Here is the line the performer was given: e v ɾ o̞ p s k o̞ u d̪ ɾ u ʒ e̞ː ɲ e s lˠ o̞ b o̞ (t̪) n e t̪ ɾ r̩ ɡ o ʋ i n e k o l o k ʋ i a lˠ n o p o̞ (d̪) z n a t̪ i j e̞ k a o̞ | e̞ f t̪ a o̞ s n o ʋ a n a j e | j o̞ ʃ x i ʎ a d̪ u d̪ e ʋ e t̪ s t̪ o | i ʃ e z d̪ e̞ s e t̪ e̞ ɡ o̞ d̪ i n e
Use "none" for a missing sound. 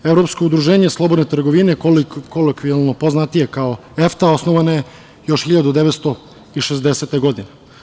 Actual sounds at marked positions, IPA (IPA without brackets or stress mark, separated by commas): d̪, none